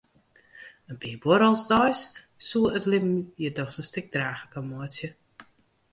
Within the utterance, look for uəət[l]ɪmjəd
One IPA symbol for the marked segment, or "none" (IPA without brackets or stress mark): l